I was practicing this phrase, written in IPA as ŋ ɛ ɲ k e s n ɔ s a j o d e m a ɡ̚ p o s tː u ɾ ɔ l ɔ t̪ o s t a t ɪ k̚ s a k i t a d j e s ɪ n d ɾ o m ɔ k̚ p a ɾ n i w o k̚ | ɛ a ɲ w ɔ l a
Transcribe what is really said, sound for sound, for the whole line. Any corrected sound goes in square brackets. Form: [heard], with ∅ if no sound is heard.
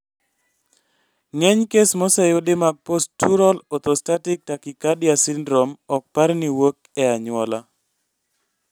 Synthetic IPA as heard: ŋ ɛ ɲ k e s [m] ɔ s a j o d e m a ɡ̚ p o s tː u ɾ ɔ l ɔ t̪ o s t a t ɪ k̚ [t] a k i [k] a d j [a] s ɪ n d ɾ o m ɔ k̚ p a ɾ n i w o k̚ | ɛ a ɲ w ɔ l a